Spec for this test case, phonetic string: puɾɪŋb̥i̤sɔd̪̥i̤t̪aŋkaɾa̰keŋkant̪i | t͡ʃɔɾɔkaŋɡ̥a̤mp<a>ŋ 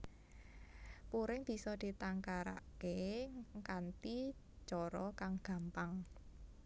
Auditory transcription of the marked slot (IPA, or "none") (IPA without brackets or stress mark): a